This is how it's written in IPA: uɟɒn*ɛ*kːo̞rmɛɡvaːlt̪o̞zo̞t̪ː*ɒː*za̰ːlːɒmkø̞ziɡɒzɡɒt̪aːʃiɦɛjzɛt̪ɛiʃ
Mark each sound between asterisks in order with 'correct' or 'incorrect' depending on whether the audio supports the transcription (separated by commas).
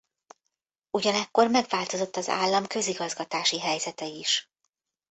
correct, incorrect